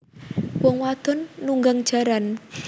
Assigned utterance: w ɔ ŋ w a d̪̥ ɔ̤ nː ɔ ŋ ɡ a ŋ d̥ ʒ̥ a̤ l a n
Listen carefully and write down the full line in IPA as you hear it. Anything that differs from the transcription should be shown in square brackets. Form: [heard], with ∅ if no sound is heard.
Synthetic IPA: w ɔ ŋ w a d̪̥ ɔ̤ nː [u] ŋ ɡ a ŋ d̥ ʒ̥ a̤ [ɾ] a n